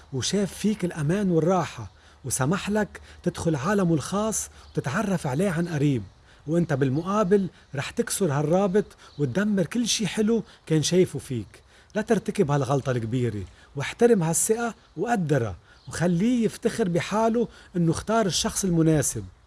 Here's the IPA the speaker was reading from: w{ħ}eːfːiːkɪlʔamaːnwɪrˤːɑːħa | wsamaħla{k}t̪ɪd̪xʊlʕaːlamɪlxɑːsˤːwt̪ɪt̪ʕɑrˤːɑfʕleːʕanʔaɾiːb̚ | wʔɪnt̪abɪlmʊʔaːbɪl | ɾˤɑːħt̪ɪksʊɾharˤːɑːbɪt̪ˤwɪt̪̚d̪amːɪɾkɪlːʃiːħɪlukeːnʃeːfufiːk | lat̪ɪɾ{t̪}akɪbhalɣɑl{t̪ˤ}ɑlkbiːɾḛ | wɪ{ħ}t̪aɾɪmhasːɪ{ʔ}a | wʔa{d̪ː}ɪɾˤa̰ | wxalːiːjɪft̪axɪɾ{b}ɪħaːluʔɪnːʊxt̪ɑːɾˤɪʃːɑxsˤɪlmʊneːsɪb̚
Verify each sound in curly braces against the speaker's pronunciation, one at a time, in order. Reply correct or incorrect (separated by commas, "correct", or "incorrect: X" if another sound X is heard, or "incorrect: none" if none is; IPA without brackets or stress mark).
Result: incorrect: ʃ, correct, correct, correct, correct, correct, correct, correct